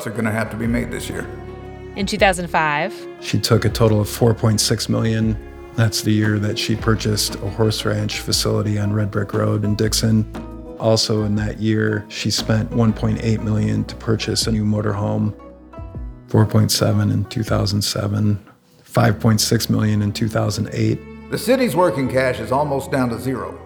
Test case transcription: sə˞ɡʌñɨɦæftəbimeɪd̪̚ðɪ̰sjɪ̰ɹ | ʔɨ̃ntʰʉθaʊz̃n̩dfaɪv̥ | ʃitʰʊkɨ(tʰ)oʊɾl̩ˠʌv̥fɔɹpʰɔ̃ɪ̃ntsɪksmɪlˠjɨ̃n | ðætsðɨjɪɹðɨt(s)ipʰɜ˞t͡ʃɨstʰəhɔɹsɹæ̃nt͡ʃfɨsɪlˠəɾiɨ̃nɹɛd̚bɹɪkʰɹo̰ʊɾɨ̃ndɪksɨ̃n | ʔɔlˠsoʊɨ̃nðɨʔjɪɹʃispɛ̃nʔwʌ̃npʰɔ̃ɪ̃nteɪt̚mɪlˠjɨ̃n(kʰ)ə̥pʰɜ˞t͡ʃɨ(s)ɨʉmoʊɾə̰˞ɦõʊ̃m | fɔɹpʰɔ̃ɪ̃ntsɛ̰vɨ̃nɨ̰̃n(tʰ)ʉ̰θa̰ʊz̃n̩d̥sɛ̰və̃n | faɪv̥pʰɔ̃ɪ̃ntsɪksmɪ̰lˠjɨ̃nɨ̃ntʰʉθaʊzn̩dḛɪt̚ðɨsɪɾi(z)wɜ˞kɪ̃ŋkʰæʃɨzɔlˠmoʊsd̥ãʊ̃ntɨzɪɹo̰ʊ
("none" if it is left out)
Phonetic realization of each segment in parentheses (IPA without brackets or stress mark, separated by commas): tʰ, ʃ, tʰ, s, tʰ, z